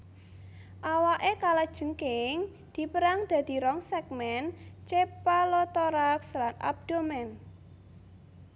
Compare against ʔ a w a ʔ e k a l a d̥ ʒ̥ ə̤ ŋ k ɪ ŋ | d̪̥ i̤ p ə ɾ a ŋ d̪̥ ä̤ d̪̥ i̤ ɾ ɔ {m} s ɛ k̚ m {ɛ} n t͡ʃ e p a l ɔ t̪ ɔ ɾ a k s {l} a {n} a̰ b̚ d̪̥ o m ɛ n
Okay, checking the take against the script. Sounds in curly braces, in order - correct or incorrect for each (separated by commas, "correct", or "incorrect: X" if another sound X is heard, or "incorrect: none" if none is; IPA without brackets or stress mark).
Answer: incorrect: ŋ, correct, correct, correct